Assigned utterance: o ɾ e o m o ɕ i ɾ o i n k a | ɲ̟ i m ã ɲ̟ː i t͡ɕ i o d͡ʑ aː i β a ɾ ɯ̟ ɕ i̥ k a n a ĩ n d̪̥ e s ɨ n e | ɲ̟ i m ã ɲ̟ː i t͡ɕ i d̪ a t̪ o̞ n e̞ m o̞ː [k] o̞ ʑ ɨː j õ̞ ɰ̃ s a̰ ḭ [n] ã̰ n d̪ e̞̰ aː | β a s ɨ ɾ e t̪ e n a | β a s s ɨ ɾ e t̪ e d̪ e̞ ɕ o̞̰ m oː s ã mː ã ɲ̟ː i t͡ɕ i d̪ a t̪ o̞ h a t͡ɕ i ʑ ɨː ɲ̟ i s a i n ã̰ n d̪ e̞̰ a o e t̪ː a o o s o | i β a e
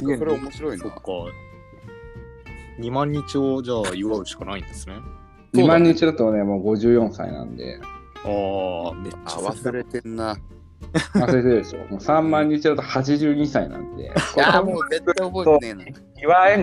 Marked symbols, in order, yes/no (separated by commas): no, yes